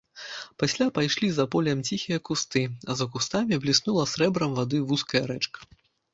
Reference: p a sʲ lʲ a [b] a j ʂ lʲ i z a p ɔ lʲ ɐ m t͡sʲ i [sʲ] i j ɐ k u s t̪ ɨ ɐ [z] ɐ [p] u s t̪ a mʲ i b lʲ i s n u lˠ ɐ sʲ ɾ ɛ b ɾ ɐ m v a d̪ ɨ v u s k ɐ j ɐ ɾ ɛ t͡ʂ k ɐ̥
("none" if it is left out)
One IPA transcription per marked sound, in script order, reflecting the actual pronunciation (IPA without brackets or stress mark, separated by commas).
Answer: p, xʲ, z, k